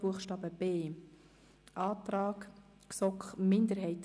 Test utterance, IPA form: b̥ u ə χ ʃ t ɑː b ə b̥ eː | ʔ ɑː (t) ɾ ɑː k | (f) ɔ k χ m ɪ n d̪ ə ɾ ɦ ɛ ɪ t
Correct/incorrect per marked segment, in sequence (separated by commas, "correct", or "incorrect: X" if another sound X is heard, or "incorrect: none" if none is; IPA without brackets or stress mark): correct, incorrect: s